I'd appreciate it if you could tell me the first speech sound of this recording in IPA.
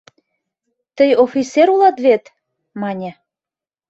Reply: t̪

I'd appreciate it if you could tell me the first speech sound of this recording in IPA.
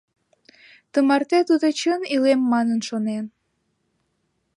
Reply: t̪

